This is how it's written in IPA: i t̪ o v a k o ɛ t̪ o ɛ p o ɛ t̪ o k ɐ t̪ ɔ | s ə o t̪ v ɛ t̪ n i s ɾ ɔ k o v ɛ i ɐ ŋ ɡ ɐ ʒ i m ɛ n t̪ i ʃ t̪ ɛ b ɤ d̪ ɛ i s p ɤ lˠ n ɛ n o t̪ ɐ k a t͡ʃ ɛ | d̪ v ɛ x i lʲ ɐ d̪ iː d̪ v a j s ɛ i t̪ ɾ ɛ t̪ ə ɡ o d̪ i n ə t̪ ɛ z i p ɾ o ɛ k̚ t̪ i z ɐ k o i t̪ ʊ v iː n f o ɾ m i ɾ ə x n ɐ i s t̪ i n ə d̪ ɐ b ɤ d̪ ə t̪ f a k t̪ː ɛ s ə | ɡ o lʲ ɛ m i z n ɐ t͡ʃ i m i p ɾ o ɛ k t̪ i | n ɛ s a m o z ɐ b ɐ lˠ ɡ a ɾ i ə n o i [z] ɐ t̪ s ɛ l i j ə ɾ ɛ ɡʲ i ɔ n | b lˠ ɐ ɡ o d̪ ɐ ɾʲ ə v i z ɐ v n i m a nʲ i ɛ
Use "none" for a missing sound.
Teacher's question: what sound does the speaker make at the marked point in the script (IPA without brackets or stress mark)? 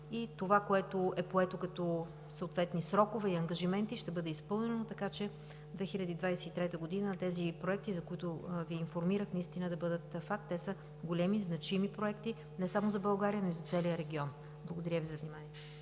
z